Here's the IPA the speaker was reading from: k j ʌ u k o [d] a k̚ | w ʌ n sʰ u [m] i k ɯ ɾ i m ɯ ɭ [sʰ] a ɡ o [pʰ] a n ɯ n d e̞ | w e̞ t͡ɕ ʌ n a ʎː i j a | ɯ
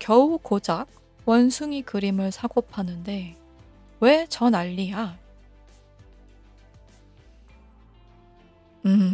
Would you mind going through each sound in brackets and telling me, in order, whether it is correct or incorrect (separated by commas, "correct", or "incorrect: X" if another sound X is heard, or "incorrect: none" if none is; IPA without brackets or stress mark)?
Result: incorrect: d͡ʑ, incorrect: ŋ, correct, correct